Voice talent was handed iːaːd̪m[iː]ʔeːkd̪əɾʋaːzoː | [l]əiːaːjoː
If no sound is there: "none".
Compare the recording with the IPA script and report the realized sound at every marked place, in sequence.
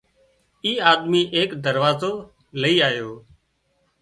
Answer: iː, l

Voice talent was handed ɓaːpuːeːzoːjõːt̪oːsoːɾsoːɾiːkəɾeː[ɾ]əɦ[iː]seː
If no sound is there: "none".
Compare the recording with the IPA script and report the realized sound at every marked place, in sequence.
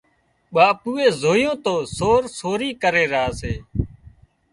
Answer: ɾ, aː

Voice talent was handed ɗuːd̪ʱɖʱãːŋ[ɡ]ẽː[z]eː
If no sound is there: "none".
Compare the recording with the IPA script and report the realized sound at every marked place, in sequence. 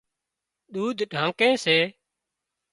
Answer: k, s

